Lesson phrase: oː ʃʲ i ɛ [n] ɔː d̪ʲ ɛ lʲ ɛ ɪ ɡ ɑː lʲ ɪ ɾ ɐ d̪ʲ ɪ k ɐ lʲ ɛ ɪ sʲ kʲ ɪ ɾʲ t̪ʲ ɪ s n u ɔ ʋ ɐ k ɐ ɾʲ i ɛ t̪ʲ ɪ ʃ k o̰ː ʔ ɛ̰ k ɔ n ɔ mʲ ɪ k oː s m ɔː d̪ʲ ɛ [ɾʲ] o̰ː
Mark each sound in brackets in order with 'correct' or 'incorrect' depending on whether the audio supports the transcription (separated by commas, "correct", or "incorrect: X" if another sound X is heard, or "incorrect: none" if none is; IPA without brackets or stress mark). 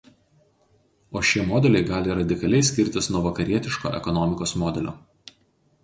incorrect: m, incorrect: lʲ